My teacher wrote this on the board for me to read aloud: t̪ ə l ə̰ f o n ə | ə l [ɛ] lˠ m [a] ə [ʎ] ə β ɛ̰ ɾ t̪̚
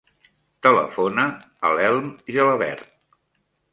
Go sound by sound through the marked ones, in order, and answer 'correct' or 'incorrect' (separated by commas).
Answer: correct, incorrect, incorrect